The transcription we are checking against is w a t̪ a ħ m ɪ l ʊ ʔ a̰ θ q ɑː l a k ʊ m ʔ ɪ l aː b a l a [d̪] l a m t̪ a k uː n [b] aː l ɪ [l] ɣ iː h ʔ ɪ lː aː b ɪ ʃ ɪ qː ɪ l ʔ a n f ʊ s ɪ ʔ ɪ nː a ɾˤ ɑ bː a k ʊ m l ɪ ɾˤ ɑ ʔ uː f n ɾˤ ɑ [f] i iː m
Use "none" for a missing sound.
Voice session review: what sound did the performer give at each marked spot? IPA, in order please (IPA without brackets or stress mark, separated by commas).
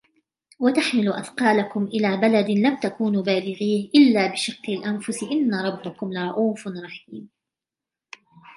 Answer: d̪, b, none, ħ